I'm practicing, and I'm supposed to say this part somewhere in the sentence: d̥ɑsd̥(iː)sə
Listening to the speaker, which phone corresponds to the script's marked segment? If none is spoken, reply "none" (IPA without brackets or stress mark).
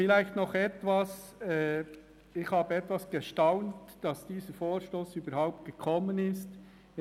iː